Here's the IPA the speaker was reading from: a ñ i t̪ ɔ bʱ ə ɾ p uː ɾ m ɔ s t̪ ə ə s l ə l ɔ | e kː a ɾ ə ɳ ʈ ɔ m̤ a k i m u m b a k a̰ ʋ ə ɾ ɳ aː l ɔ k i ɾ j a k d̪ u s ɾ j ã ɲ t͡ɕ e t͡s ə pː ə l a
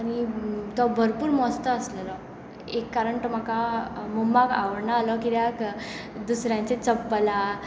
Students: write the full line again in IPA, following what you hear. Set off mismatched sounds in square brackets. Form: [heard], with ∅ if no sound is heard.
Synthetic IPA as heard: a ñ i t̪ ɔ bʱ ə ɾ p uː ɾ m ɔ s t̪ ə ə s l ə l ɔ | e kː a ɾ ə ɳ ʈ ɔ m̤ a k [a] m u m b a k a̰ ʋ ə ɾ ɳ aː l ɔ k i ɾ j a k d̪ u s ɾ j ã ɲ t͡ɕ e t͡s ə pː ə l a